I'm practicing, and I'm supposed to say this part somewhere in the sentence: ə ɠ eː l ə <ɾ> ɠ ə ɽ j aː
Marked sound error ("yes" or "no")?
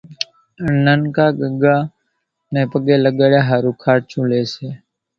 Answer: yes